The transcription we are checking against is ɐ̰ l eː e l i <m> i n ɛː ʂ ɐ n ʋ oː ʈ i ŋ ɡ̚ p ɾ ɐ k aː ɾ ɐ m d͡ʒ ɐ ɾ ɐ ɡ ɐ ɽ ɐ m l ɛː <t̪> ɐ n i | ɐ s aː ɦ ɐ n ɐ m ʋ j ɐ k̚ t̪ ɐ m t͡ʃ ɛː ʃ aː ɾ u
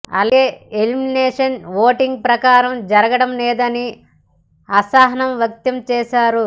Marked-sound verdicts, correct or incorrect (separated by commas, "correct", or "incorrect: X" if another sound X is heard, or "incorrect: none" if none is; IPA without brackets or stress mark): correct, incorrect: d̪